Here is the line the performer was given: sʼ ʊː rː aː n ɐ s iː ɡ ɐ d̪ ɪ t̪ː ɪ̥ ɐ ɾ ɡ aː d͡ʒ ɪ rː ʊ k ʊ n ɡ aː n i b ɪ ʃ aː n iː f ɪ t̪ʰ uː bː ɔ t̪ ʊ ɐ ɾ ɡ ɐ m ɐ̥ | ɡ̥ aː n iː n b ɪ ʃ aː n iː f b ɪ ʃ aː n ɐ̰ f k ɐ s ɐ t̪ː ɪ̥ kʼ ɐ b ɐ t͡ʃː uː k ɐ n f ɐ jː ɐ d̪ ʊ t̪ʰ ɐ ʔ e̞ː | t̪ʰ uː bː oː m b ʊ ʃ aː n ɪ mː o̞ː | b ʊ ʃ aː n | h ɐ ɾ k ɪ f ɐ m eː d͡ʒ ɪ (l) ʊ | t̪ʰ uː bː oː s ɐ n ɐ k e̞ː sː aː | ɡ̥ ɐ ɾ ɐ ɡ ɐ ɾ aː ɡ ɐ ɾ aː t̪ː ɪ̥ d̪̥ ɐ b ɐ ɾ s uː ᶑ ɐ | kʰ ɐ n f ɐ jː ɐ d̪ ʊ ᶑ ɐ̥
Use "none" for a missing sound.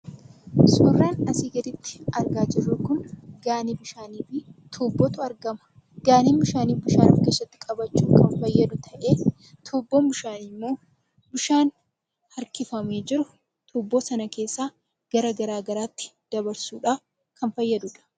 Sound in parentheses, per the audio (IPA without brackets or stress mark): ɾ